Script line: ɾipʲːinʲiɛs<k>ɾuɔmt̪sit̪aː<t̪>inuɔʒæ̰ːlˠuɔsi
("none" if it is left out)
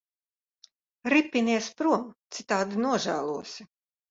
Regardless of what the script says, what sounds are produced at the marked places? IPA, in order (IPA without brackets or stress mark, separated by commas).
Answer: p, d̪